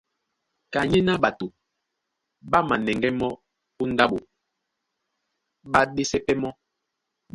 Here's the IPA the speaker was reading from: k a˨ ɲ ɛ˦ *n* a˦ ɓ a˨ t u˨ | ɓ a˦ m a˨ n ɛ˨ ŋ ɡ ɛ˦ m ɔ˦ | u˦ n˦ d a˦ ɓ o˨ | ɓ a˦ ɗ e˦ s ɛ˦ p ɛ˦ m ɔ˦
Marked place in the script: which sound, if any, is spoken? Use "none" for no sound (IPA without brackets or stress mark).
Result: n